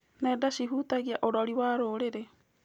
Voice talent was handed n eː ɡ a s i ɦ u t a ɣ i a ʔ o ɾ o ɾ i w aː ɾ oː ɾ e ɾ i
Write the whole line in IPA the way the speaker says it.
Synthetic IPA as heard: n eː d a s i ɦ u t a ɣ i a ʔ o ɾ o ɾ i w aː ɾ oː ɾ e ɾ e